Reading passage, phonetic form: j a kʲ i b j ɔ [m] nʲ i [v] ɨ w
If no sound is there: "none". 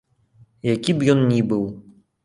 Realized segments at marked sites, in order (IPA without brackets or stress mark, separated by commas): n, b